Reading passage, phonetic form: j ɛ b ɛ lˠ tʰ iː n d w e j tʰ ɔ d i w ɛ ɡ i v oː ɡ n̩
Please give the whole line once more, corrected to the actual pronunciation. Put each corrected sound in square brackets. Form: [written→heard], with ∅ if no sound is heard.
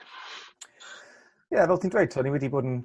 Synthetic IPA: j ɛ [b→v] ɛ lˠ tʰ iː n d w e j tʰ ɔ [d→n] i w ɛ [ɡ→d] i [v→b] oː [ɡ→d] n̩